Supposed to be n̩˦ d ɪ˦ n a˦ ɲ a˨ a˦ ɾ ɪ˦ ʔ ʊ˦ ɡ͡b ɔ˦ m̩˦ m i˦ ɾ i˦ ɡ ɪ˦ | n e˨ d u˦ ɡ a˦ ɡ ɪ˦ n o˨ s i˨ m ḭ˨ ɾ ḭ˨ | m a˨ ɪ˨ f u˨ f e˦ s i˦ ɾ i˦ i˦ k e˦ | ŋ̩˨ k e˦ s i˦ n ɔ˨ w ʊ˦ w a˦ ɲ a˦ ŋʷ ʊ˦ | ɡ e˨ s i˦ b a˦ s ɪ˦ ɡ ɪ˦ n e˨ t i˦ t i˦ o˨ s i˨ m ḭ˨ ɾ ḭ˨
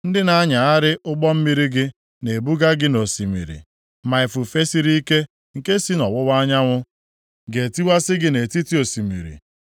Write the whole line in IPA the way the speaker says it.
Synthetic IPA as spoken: n̩˦ d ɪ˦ n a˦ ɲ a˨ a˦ ɾ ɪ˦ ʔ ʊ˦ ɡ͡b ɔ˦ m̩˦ m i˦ ɾ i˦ ɡ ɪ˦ | n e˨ b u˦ ɡ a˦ ɡ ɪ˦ n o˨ s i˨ m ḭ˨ ɾ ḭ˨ | m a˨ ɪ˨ f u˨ f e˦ s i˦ ɾ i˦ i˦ k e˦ | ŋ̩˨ k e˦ s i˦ n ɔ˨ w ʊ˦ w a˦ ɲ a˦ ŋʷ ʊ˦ | ɡ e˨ t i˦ w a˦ s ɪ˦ ɡ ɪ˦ n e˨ t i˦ t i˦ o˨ s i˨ m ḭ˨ ɾ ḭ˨